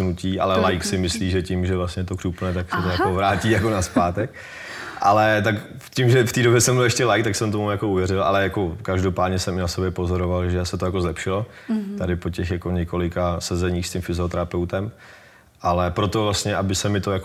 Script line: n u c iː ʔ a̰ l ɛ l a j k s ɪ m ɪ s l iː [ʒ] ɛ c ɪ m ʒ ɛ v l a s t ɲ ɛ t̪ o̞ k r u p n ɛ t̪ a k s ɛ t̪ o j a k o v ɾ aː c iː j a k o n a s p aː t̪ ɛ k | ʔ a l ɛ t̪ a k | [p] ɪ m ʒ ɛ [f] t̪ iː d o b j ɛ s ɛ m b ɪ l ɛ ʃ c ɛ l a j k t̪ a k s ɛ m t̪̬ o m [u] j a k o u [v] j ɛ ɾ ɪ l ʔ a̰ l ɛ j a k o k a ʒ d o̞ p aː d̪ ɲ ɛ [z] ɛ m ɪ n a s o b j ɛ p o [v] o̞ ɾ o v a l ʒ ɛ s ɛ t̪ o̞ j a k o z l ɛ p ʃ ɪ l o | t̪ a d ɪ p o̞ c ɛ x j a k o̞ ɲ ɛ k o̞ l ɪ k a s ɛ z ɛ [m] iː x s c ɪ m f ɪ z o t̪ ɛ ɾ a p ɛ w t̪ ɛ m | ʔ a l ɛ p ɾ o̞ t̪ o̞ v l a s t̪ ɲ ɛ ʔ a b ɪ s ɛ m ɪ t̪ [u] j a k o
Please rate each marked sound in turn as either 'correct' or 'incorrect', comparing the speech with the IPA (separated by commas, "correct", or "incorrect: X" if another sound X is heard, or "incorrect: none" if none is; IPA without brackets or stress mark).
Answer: correct, incorrect: c, correct, correct, correct, incorrect: s, incorrect: z, incorrect: ɲ, incorrect: o